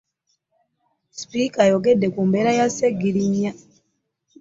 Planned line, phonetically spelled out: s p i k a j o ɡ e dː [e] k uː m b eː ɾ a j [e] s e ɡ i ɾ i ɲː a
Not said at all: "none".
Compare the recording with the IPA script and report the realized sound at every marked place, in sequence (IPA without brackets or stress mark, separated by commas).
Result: e, a